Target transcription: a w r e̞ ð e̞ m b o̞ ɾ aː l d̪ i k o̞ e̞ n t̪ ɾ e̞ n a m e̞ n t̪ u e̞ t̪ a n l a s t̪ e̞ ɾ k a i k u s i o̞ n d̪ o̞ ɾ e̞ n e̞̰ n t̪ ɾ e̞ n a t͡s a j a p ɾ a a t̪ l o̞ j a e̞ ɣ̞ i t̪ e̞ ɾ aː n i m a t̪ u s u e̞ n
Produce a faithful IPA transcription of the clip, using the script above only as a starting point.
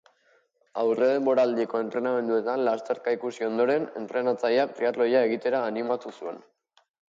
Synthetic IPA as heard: a w r e̞ ð e̞ m b o̞ ɾ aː l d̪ i k o̞ e̞ n t̪ ɾ e̞ n a m e̞ n d̪ u e̞ t̪ a n l a s t̪ e̞ ɾ k a i k u s i o̞ n d̪ o̞ ɾ e̞ n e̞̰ n t̪ ɾ e̞ n a t͡s a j a p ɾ i a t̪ l o̞ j a e̞ ɣ̞ i t̪ e̞ ɾ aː n i m a t̪ u s u e̞ n